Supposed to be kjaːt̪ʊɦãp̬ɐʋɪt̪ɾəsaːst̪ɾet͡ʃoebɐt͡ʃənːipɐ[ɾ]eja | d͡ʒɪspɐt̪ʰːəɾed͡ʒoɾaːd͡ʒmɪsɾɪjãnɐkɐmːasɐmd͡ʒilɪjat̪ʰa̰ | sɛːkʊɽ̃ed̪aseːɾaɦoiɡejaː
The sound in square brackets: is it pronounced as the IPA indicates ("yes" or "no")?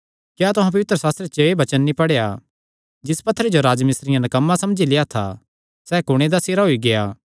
no